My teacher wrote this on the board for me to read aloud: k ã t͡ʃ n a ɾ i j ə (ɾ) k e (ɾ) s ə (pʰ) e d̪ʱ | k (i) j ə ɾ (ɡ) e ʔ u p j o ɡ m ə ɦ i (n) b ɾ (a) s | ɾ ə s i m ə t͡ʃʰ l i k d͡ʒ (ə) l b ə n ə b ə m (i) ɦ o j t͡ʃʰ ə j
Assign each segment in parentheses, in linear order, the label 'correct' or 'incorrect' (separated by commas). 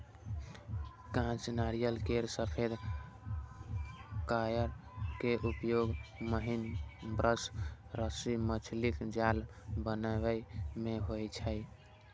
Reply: incorrect, correct, correct, incorrect, incorrect, correct, incorrect, incorrect, incorrect